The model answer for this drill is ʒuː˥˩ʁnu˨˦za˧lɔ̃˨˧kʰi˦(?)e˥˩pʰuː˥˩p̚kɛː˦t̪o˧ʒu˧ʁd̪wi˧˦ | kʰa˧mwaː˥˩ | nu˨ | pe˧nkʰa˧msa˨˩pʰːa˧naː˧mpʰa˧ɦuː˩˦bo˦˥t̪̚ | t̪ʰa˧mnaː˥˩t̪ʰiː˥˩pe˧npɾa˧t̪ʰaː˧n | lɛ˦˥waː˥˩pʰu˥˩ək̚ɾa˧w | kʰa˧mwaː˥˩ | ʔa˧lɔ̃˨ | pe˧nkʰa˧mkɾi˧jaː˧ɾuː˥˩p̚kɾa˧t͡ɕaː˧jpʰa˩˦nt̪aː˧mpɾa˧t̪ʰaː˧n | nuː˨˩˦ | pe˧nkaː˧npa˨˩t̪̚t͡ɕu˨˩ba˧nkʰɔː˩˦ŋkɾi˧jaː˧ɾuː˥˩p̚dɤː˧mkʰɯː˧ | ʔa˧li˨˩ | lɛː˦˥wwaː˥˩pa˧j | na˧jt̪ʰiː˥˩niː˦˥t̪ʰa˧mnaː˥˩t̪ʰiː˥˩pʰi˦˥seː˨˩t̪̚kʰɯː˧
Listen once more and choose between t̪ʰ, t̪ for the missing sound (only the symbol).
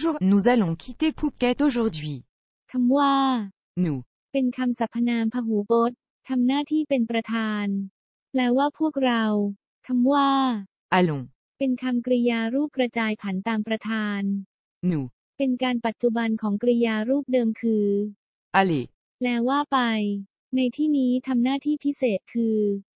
t̪